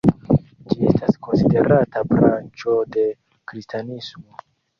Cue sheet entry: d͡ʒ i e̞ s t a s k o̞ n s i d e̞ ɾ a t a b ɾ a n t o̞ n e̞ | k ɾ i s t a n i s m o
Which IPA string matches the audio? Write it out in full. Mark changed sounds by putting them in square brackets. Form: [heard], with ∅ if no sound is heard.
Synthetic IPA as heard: d͡ʒ i e̞ s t a s k o̞ n s i d e̞ ɾ a t a b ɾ a n [t͡ʃ] o̞ [d] e̞ | k ɾ i s t a n i s m o